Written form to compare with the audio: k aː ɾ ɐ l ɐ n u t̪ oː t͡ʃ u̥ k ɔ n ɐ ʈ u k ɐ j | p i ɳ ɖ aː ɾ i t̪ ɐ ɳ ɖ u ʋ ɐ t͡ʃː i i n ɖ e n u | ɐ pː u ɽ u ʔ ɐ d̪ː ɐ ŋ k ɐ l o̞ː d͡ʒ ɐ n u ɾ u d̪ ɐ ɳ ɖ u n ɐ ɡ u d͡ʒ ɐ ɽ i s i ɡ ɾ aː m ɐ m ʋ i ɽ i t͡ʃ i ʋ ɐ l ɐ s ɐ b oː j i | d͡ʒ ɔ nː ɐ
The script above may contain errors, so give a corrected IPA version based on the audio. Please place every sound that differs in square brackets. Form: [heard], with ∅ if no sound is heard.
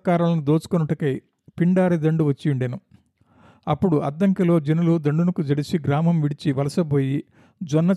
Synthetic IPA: k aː ɾ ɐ l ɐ n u [d̪] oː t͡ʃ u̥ k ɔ n ɐ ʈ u k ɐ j | p i ɳ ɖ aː ɾ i [d̪] ɐ ɳ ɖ u ʋ ɐ t͡ʃː i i [ɳ] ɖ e n u | ɐ pː u ɽ u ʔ ɐ d̪ː ɐ ŋ k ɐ l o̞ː d͡ʒ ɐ n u [l] u d̪ ɐ ɳ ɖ u n ɐ [k] u d͡ʒ ɐ ɽ i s i ɡ ɾ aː m ɐ m ʋ i ɽ i t͡ʃ i ʋ ɐ l ɐ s ɐ b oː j i | d͡ʒ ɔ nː ɐ